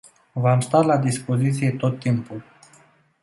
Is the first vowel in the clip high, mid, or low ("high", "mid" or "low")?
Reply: low